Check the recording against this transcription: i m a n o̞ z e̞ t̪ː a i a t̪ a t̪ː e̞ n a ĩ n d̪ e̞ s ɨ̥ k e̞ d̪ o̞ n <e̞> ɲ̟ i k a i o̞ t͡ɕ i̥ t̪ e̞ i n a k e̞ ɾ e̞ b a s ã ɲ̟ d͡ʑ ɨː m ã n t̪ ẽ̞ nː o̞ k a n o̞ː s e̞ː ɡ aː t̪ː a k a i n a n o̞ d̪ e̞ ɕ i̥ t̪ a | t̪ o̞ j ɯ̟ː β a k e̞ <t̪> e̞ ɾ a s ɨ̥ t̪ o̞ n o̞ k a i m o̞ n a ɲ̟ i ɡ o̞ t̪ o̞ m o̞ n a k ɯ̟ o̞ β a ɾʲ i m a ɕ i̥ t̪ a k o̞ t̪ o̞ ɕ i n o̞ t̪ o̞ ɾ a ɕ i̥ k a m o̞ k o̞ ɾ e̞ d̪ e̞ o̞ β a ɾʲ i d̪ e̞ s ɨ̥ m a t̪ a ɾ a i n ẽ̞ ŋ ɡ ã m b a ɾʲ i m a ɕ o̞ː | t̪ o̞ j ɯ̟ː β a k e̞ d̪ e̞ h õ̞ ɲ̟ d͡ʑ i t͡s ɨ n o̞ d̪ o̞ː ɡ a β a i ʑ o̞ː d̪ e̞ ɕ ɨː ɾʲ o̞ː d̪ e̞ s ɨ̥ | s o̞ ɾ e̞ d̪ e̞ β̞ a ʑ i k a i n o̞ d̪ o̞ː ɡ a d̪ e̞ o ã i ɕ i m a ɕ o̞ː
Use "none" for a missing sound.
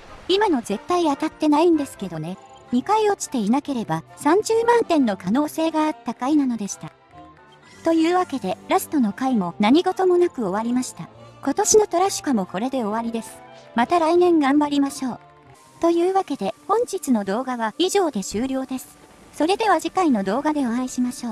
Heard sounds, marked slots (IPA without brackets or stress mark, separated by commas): e̞, d̪